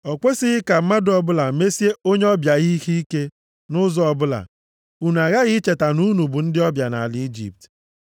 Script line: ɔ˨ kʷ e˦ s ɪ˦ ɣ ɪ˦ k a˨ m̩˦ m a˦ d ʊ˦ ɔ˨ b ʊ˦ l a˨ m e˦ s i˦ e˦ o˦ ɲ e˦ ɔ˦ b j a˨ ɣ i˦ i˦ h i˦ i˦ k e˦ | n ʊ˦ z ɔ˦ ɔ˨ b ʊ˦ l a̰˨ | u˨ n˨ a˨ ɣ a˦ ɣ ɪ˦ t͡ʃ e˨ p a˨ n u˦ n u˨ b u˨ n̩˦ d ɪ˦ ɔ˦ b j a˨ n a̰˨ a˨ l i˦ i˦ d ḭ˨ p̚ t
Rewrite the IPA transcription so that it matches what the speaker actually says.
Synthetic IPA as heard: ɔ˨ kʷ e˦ s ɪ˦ ɣ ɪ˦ k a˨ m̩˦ m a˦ d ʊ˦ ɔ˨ b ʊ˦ l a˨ m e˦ s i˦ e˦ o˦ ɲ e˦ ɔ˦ b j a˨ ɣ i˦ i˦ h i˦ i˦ k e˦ | n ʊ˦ z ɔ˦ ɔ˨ b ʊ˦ l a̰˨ | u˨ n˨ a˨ ɣ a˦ ɣ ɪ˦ t͡ʃ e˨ t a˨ n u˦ n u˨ b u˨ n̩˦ d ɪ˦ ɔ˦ b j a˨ n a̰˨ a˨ l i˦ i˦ d͡ʒ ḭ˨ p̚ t